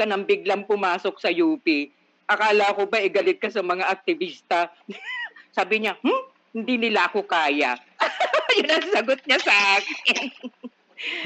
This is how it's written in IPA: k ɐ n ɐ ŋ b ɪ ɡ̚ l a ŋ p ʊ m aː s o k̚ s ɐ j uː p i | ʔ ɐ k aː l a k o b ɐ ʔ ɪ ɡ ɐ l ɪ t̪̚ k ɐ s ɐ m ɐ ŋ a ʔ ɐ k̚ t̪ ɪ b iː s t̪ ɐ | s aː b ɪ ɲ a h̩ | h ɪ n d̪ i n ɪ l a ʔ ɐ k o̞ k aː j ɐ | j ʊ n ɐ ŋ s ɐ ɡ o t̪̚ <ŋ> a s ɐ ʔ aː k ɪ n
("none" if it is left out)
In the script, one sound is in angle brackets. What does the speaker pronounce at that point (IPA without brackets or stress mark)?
ɲ